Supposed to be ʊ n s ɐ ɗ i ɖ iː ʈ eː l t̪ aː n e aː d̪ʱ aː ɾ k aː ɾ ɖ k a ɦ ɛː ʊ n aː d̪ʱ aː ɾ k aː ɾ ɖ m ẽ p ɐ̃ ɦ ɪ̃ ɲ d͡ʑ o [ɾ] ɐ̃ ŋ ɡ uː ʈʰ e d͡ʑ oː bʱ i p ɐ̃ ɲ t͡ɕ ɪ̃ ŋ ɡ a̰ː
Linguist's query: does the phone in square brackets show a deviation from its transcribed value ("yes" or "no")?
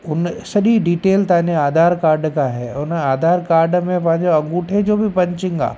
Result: yes